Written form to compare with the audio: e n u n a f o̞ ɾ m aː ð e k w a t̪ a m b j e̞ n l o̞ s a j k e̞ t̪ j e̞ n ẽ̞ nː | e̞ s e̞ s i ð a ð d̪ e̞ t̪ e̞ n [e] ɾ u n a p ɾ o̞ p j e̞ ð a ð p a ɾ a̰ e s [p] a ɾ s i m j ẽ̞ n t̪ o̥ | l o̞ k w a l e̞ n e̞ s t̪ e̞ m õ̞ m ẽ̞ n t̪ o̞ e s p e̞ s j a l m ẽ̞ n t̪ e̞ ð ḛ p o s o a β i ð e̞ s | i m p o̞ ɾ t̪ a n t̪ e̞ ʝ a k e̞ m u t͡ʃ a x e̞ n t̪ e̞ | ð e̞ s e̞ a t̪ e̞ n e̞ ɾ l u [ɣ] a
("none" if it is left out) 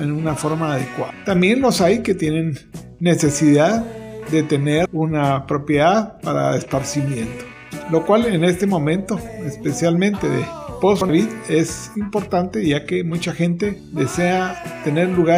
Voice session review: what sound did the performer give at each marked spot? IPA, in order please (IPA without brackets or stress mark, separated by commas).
e, p, ɣ